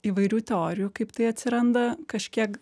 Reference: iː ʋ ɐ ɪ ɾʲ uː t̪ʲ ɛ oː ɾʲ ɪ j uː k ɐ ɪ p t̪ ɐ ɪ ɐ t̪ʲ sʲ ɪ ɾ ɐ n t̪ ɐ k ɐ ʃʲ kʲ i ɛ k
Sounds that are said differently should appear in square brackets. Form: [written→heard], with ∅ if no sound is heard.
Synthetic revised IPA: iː ʋ ɐ ɪ ɾʲ uː t̪ʲ ɛ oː ɾʲ ɪ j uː k ɐ ɪ p t̪ ɐ ɪ ɐ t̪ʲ sʲ ɪ ɾ ɐ n [t̪→d̪] ɐ k ɐ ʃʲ kʲ i ɛ k

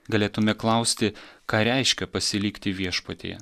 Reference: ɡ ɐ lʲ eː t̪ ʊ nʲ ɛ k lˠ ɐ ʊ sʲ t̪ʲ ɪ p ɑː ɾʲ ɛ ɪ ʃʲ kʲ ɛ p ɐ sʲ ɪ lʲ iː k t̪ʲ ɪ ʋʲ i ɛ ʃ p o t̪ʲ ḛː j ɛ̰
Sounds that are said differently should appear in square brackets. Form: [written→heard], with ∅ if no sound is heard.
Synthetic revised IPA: ɡ ɐ lʲ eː t̪ ʊ [nʲ→mʲ] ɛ k lˠ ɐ ʊ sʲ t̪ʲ ɪ [p→k] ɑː ɾʲ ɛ ɪ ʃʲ kʲ ɛ p ɐ sʲ ɪ lʲ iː k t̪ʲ ɪ ʋʲ i ɛ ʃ p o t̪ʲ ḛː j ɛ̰

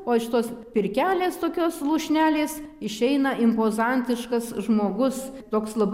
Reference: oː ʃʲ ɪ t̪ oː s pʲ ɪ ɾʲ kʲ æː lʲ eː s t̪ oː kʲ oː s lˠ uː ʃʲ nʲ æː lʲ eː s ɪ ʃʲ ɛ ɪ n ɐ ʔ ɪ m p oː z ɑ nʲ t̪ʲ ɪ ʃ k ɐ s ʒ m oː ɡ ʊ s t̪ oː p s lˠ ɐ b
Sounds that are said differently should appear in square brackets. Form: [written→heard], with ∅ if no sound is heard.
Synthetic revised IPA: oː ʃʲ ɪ t̪ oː s pʲ ɪ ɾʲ kʲ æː lʲ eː s t̪ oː kʲ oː s lˠ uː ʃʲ nʲ æː lʲ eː s ɪ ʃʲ ɛ ɪ n ɐ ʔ ɪ m p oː z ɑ nʲ t̪ʲ ɪ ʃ k ɐ s ʒ m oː ɡ ʊ s t̪ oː [p→k] s lˠ ɐ b

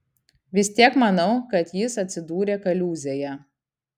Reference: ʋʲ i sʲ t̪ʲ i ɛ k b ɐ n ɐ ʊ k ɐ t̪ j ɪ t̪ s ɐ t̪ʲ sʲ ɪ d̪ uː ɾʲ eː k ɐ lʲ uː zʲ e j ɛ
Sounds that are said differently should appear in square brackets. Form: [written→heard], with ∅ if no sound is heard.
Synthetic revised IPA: ʋʲ [i→ɪ] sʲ t̪ʲ i ɛ k [b→m] ɐ n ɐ ʊ k ɐ t̪ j ɪ [t̪→∅] s ɐ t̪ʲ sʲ ɪ d̪ uː ɾʲ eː k ɐ lʲ uː zʲ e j ɛ

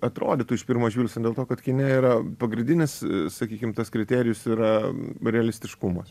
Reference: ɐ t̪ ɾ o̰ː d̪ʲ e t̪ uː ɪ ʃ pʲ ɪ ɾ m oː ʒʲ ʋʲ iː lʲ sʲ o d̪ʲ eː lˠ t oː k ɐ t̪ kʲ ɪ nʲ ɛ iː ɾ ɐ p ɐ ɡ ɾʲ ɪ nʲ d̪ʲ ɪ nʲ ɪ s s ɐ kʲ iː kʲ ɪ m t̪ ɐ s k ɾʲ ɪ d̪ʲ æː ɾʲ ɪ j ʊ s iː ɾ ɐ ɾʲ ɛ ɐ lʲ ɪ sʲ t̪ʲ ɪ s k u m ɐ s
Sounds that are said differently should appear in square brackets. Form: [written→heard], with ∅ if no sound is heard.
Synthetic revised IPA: ɐ t̪ ɾ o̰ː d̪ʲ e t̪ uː ɪ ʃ pʲ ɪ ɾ m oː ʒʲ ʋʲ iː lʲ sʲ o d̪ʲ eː lˠ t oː k ɐ t̪ kʲ ɪ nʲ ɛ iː ɾ ɐ p ɐ ɡ ɾʲ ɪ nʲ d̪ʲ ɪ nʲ ɪ s s ɐ kʲ iː kʲ ɪ m t̪ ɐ s k ɾʲ ɪ [d̪ʲ→t̪ʲ] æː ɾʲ ɪ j ʊ s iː ɾ ɐ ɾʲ ɛ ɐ lʲ ɪ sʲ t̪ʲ ɪ [s→ʃ] k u m ɐ s

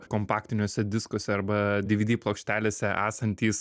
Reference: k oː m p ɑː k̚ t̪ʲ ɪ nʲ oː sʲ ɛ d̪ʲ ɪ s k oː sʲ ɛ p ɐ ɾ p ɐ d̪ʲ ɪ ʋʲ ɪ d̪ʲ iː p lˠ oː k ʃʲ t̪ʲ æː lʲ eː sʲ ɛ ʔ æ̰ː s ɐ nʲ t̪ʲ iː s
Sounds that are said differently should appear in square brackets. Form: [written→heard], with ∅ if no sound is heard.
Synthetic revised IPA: k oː m p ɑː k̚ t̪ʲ ɪ nʲ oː sʲ ɛ d̪ʲ ɪ s k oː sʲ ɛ [p→∅] ɐ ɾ [p→b] ɐ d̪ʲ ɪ ʋʲ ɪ d̪ʲ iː p lˠ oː k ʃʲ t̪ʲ æː lʲ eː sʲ ɛ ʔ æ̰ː s ɐ nʲ t̪ʲ iː s

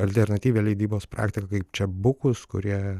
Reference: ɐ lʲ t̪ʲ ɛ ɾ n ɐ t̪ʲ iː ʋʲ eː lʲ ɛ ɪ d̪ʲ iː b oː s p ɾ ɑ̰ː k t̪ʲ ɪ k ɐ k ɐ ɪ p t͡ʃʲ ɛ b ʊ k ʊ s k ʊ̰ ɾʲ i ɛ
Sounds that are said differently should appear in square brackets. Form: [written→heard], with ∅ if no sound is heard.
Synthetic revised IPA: ɐ lʲ t̪ʲ ɛ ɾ n ɐ t̪ʲ iː ʋʲ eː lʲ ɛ ɪ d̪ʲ iː b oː s p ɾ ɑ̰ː k t̪ʲ ɪ k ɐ k ɐ ɪ p t͡ʃʲ ɛ b ʊ k ʊ s k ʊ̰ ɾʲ i ɛ

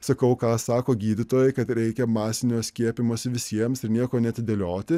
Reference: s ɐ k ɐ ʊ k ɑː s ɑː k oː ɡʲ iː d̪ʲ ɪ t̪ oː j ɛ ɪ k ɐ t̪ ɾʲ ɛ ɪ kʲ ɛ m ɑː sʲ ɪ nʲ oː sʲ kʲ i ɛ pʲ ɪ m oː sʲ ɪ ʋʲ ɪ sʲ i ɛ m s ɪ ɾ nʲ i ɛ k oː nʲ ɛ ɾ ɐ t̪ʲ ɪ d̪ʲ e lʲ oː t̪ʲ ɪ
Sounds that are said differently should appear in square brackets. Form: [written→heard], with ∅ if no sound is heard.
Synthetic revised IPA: s ɐ k ɐ ʊ k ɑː s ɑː k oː ɡʲ iː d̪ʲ ɪ t̪ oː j ɛ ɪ k ɐ t̪ ɾʲ ɛ ɪ kʲ ɛ m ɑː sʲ ɪ nʲ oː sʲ kʲ i ɛ pʲ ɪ m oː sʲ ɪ ʋʲ ɪ sʲ i ɛ m s ɪ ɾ nʲ i ɛ k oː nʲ ɛ [ɾ→∅] ɐ t̪ʲ ɪ d̪ʲ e lʲ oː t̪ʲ ɪ

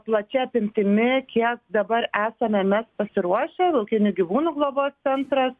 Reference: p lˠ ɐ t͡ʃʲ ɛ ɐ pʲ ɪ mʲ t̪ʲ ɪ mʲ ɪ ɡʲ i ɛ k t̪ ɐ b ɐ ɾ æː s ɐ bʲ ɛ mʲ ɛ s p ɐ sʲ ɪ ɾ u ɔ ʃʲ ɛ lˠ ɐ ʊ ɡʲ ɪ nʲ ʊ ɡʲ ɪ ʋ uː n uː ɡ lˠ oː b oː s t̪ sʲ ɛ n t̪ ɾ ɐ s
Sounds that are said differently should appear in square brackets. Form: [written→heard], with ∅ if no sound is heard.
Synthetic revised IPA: p lˠ ɐ t͡ʃʲ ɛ ɐ pʲ ɪ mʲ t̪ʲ ɪ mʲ ɪ [ɡʲ→kʲ] i ɛ k [t̪→d̪] ɐ b ɐ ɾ æː s ɐ [bʲ→mʲ] ɛ mʲ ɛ s p ɐ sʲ ɪ ɾ u ɔ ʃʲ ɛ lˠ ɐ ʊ [ɡʲ→kʲ] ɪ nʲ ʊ ɡʲ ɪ ʋ uː n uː ɡ lˠ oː b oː s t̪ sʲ ɛ n t̪ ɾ ɐ s

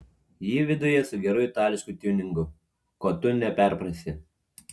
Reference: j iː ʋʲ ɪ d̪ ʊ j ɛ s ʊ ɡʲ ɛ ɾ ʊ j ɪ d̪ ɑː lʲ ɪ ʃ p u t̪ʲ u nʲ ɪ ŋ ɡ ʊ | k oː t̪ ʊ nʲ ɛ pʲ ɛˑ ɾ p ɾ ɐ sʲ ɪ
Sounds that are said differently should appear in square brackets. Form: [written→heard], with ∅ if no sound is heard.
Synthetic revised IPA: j iː ʋʲ ɪ d̪ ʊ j ɛ s ʊ ɡʲ ɛ ɾ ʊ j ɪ [d̪→t̪] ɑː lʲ ɪ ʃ [p→k] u t̪ʲ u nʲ ɪ ŋ ɡ ʊ | k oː t̪ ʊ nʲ ɛ pʲ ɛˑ ɾ p ɾ ɐ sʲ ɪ

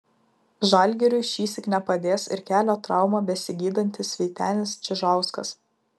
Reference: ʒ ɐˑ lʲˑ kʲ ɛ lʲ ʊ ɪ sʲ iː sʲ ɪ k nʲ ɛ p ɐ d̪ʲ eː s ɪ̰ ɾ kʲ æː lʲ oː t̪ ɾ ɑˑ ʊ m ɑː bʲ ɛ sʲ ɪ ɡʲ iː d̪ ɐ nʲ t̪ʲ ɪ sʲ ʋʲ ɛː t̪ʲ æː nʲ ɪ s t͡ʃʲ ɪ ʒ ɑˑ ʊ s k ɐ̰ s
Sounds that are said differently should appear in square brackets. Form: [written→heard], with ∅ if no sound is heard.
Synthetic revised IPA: ʒ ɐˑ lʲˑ [kʲ→ɡʲ] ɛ [lʲ→ɾʲ] ʊ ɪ [sʲ→ʃʲ] iː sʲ ɪ k nʲ ɛ p ɐ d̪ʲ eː s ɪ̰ ɾ kʲ æː lʲ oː t̪ ɾ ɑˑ ʊ m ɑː bʲ ɛ sʲ ɪ ɡʲ iː d̪ ɐ nʲ t̪ʲ ɪ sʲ ʋʲ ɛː t̪ʲ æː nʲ ɪ s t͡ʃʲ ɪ ʒ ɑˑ ʊ s k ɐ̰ s

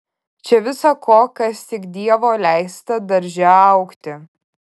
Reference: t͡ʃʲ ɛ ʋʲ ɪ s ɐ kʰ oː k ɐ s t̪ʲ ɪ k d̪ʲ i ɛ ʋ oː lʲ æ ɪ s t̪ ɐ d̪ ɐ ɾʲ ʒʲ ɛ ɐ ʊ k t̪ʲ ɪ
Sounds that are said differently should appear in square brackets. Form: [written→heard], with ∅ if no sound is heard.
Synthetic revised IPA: t͡ʃʲ ɛ ʋʲ ɪ s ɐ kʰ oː k ɐ s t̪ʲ ɪ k d̪ʲ i ɛ ʋ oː lʲ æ ɪ s t̪ ɐ d̪ ɐ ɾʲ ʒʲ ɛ ɐ ʊ k t̪ʲ ɪ

